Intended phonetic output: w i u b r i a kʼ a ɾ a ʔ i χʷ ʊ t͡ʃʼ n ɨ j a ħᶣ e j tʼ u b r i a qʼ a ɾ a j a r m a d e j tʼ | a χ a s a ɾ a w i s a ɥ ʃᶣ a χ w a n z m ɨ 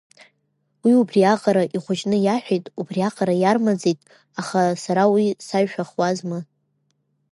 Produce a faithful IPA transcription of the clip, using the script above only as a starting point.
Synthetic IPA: w i u b r i a qʼ a ɾ a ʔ i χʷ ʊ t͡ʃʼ n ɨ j a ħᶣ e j tʼ u b r i a qʼ a ɾ a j a r m a d͡z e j tʼ | a χ a s a ɾ a w i s a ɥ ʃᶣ a χ w a z m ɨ